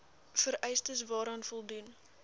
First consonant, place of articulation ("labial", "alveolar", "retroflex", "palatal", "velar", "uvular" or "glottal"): labial